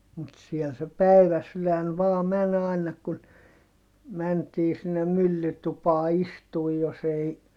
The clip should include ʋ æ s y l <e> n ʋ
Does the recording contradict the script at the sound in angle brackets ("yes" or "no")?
yes